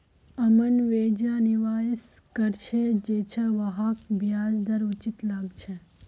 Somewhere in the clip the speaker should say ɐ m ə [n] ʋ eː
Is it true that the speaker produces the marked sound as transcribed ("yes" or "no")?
yes